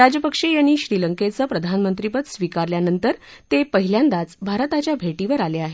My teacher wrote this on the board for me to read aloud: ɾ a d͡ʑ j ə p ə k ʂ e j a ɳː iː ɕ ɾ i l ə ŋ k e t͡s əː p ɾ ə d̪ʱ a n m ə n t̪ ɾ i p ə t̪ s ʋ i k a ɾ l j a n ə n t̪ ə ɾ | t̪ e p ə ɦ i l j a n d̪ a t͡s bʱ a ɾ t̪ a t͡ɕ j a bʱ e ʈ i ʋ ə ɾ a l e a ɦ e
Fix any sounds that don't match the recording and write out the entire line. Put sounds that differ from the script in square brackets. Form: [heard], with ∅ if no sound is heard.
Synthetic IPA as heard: ɾ a d͡ʑ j ə p ə k ʂ e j a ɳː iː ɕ ɾ i l ə ŋ k e t͡s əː p ɾ ə d̪ʱ a n m ə n t̪ ɾ i p ə t̪ s ʋ i k a ɾ l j a n ə n t̪ ə ɾ | t̪ e p ə ɦ i l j a n d̪ a t͡s bʱ a ɾ t̪ a t͡ɕ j a bʱ e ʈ i ʋ ə ɾ a l e a ɦ e